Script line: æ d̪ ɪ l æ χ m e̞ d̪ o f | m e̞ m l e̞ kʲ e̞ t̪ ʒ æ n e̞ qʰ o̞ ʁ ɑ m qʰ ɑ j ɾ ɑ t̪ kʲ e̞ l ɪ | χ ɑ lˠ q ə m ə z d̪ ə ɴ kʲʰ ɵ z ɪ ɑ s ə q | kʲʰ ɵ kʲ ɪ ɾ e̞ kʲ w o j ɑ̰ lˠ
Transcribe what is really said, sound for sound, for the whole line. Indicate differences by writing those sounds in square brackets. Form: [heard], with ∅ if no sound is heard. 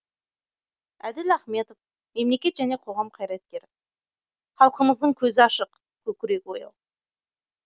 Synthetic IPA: æ d̪ ɪ l æ χ m e̞ [t̪] o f | m e̞ m l e̞ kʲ e̞ t̪ ʒ æ n e̞ qʰ o̞ ʁ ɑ m qʰ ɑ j ɾ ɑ t̪ kʲ e̞ [ɾ] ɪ | χ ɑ lˠ q ə m ə z d̪ ə ɴ kʲʰ ɵ z ɪ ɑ [ʃ] ə q | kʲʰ ɵ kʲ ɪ ɾ e̞ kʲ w o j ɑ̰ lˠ